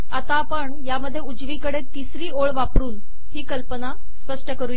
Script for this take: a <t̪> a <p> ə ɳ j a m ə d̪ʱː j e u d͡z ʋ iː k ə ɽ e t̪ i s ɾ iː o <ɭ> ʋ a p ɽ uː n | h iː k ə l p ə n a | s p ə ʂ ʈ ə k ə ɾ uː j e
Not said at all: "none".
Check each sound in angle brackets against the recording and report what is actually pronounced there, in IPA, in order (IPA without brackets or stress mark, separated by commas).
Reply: t̪, p, ɭ